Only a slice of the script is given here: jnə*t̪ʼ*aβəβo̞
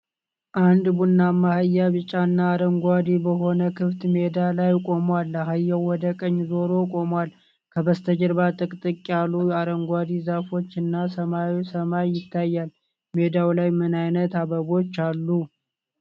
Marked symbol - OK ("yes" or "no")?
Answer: no